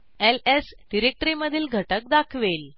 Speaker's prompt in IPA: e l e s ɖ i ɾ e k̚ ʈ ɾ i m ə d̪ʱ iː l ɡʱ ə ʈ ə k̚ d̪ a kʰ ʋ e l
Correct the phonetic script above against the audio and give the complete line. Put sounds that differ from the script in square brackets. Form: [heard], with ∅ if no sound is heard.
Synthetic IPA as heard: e l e s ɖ i ɾ e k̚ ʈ ɾ i m ə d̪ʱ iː l ɡʱ ə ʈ ə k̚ d̪ a kʰ ʋ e l